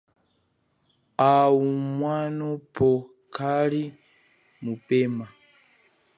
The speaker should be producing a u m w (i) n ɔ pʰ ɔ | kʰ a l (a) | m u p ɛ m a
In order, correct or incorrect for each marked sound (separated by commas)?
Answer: incorrect, incorrect